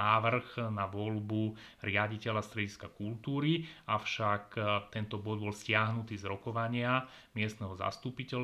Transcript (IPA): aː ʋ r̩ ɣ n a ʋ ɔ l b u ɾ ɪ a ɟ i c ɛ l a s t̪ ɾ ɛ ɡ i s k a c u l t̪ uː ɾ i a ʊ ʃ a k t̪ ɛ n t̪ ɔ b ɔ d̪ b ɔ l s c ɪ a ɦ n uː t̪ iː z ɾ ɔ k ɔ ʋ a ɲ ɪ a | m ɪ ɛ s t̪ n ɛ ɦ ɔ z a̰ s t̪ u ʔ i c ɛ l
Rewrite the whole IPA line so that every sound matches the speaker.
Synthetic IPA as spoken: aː ʋ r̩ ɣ n a ʋ ɔ l b u ɾ ɪ a ɟ i c ɛ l a s t̪ ɾ ɛ ɟ i s k a k u l t̪ uː ɾ i a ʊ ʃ a k t̪ ɛ n t̪ ɔ b ɔ d̪ b ɔ l s c ɪ a ɦ n u t̪ iː z ɾ ɔ k ɔ ʋ a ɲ ɪ a | m ɪ ɛ s t̪ n ɛ ɦ ɔ z a̰ s t̪ u p i c ɛ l